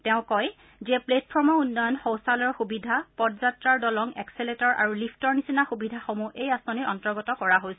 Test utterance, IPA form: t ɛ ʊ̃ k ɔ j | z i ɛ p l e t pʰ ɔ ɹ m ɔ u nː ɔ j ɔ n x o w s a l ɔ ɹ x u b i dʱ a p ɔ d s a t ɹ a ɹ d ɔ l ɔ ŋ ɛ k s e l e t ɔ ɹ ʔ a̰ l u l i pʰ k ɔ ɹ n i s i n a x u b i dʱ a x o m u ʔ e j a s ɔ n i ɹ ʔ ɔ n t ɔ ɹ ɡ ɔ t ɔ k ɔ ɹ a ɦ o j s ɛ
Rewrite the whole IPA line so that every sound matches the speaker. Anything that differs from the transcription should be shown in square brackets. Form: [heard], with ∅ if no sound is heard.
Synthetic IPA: t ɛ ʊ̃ k ɔ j | z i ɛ p l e t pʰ ɔ ɹ m ɔ u nː ɔ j ɔ n x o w s a l ɔ ɹ x u b i dʱ a p ɔ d [z] a t ɹ a ɹ d ɔ l ɔ ŋ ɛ k s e l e t ɔ ɹ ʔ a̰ [ɹ] u l i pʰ [t] ɔ ɹ n i s i n a x u b i dʱ a x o m u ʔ e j a s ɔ n i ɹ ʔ ɔ n t ɔ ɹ ɡ ɔ t ɔ k ɔ ɹ a ɦ o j s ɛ